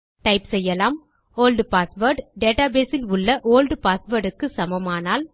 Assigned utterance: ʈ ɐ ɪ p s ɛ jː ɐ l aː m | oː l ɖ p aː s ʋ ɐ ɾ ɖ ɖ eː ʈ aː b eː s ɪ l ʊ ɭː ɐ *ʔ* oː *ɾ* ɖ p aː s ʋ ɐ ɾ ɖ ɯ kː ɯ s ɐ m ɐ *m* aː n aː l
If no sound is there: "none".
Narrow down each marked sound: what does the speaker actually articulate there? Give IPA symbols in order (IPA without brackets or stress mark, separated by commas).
ʔ, l, m